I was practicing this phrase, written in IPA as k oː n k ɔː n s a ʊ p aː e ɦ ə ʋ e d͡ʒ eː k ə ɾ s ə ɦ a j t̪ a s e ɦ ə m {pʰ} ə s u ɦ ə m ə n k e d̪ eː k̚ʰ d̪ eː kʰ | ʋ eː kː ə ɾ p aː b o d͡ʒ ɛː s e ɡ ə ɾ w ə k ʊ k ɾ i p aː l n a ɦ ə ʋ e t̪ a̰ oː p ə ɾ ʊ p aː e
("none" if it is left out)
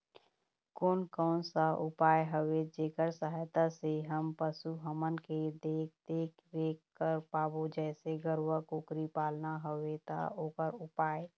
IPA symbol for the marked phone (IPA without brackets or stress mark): p